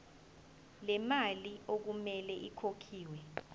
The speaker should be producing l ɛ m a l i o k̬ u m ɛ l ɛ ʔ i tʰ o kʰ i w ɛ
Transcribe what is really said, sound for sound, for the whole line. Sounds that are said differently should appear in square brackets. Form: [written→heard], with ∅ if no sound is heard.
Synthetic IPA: l ɛ m a l i o k̬ u m ɛ l ɛ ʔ i [tʰ→kʰ] o kʰ [i→iː] w ɛ